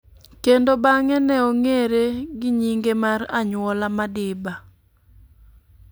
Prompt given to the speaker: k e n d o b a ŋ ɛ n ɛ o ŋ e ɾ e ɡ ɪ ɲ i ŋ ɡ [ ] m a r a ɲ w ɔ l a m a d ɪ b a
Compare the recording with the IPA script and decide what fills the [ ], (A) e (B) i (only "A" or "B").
A